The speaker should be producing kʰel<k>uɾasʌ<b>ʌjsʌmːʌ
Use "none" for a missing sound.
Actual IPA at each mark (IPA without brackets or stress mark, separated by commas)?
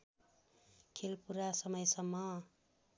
p, m